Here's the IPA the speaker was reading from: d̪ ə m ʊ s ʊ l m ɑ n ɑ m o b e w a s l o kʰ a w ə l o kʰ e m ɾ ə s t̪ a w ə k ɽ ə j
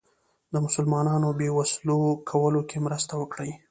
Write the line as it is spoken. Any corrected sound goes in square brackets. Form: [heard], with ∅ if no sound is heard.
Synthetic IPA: d̪ ə m ʊ s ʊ l m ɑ n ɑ [n] o b e w a s l o kʰ a w ə l o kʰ e m ɾ ə s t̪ a w ə k ɽ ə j